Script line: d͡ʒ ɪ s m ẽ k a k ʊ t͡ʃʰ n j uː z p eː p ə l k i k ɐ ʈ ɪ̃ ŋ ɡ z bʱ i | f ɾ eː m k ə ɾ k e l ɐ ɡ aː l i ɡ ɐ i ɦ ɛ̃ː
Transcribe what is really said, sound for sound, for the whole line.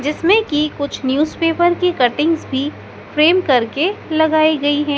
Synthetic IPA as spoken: d͡ʒ ɪ s m ẽ k i k ʊ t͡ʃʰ n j uː z p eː p ə ɾ k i k ɐ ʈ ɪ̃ ŋ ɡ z bʱ i | f ɾ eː m k ɐ ɾ k e l ɐ ɡ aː i ɡ ɐ i ɦ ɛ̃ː